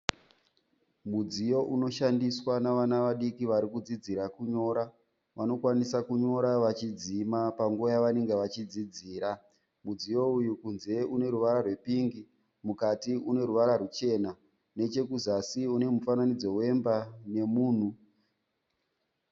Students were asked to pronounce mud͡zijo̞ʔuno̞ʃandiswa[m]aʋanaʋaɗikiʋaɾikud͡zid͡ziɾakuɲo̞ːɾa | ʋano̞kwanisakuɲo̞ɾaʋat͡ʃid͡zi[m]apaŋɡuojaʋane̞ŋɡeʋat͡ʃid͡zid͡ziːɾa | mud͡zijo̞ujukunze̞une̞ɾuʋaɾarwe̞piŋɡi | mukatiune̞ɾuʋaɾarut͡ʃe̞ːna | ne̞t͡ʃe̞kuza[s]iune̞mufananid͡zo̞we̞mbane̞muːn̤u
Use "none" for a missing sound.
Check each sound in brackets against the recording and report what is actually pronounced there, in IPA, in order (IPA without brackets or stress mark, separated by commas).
n, m, s